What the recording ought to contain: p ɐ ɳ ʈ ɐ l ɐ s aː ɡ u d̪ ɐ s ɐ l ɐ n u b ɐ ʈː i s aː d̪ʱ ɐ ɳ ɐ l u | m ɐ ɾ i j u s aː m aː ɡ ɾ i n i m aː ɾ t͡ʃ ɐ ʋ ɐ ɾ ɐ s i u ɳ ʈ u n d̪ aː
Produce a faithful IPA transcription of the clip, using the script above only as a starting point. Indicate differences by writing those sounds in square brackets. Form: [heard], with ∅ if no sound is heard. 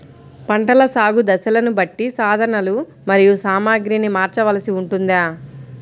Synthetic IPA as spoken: p ɐ ɳ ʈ ɐ l ɐ s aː ɡ u d̪ ɐ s ɐ l ɐ n u b ɐ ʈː i s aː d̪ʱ ɐ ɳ ɐ l u | m ɐ ɾ i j u s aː m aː ɡ ɾ i n i m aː ɾ t͡ʃ ɐ ʋ ɐ [l] ɐ s i u ɳ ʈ u n d̪ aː